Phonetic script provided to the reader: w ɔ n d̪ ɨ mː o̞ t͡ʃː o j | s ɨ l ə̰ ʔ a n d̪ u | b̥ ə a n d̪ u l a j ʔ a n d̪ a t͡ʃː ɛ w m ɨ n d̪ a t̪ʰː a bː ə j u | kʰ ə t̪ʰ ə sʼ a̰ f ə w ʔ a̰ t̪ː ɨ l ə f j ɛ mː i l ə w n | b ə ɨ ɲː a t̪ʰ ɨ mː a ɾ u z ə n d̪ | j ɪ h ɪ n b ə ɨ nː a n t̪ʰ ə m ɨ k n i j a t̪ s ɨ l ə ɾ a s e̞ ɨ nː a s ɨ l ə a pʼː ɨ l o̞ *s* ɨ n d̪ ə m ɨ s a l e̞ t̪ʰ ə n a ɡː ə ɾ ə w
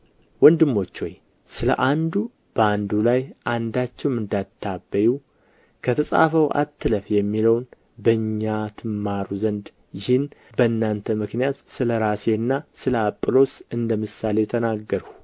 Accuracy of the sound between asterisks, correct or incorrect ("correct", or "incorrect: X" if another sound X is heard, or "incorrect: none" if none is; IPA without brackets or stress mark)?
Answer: correct